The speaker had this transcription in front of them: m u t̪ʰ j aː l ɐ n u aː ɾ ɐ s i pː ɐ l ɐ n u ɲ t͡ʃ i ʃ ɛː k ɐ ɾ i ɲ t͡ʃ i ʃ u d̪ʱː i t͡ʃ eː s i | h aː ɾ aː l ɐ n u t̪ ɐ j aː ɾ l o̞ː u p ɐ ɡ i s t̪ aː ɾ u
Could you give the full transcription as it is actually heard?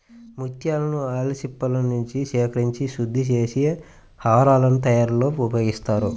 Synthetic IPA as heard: m u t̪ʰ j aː l ɐ n u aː l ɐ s i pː ɐ l ɐ n u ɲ t͡ʃ i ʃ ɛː k ɐ ɾ i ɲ t͡ʃ i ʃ u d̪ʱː i t͡ʃ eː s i | h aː ɾ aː l ɐ n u t̪ ɐ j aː ɾ l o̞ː u p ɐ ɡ i s t̪ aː ɾ u